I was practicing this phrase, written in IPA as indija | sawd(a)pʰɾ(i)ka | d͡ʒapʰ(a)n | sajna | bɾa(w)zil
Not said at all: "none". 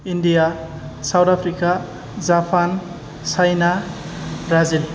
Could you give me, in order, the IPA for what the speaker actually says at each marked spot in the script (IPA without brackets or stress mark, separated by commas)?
a, i, a, none